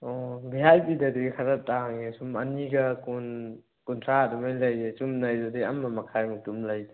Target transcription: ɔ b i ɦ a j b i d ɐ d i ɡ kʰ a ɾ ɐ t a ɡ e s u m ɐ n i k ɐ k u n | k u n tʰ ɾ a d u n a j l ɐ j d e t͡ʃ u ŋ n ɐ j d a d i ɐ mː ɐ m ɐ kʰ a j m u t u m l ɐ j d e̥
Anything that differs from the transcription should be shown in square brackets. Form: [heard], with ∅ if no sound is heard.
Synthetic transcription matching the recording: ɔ b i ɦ a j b i d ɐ d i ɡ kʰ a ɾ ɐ t a [ŋ] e s u m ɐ n i [ɡ] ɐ k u n | k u n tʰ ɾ a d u [m] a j l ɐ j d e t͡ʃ u [m] n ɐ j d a d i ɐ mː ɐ m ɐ kʰ a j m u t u m l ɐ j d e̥